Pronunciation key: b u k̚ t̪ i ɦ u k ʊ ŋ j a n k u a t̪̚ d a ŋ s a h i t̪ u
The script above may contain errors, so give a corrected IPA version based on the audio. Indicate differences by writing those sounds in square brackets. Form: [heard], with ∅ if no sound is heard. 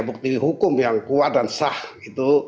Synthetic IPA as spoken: b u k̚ t̪ i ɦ u k ʊ [m] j a [ŋ] k u a t̪̚ d a [n] s a h i t̪ u